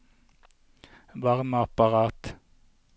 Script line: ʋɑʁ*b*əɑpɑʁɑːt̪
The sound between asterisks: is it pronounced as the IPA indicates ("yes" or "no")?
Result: no